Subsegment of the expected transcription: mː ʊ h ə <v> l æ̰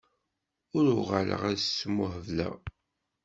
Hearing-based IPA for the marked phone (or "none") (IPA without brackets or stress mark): v